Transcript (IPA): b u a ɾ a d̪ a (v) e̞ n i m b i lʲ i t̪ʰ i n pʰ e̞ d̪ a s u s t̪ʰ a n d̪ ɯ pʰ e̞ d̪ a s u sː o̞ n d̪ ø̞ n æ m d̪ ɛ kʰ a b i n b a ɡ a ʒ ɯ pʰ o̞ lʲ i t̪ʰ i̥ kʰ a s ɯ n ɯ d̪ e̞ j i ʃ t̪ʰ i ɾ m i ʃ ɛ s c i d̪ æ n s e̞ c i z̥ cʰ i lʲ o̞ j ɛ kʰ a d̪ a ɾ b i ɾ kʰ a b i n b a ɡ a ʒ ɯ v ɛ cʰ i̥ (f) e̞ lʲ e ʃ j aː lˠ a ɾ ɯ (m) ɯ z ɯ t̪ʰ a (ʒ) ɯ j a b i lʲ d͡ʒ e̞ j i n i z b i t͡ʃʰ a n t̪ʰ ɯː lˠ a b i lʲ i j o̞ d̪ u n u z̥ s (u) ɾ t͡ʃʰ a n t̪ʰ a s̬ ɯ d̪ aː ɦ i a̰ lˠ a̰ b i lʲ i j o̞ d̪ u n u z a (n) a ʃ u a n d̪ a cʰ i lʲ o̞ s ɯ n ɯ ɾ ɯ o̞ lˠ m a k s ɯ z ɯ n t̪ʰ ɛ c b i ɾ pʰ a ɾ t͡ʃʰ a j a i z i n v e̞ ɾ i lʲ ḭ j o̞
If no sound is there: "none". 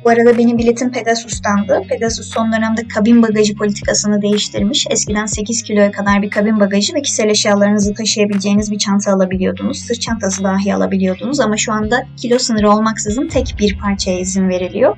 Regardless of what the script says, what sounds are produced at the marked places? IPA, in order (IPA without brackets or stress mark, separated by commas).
b, s, n, ʃ, ɯ, m